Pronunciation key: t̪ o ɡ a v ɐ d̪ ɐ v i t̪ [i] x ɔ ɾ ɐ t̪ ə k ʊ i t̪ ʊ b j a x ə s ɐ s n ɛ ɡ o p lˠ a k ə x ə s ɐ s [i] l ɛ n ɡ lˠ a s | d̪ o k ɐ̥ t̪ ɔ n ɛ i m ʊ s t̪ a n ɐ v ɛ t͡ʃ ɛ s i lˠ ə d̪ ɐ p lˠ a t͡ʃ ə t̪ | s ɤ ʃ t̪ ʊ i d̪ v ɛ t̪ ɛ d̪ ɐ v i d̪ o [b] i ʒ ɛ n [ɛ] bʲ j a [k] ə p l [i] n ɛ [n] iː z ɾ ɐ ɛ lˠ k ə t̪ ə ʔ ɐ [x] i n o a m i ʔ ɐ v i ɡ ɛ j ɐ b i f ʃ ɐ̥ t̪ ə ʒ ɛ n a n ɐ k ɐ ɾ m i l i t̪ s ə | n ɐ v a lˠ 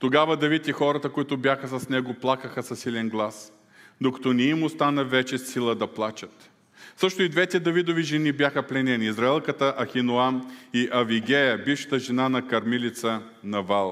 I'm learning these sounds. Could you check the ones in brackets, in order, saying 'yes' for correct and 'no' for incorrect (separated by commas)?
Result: yes, yes, no, no, no, no, yes, yes